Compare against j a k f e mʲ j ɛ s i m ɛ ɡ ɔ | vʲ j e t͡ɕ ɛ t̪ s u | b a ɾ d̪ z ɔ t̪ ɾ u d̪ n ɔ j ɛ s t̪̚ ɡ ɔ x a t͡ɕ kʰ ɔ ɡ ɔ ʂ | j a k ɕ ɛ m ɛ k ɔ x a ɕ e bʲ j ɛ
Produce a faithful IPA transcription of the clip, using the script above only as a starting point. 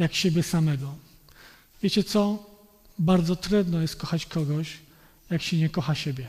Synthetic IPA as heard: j a k ɕ e bʲ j ɛ s a m ɛ ɡ ɔ | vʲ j e t͡ɕ ɛ t̪ s ɔ | b a ɾ d̪ z ɔ t̪ ɾ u d̪ n ɔ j ɛ s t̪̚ k ɔ x a t͡ɕ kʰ ɔ ɡ ɔ ɕ | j a k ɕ ɛ ɲ ɛ k ɔ x a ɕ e bʲ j ɛ